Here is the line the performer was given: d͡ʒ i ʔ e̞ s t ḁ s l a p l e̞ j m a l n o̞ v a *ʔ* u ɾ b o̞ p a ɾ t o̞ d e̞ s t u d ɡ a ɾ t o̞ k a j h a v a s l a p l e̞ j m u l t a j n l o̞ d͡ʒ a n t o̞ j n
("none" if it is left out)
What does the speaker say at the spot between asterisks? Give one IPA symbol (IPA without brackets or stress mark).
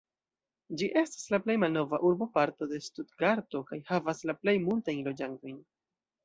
ʔ